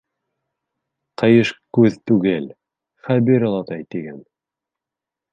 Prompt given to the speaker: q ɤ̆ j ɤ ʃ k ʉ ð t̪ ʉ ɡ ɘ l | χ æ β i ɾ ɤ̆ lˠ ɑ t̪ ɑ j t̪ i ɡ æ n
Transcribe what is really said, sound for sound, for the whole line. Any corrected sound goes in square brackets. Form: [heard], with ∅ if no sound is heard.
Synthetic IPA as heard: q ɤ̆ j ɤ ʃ k ʉ ð t̪ ʉ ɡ ɘ l | χ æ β i ɾ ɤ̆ lˠ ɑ t̪ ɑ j t̪ i ɡ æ n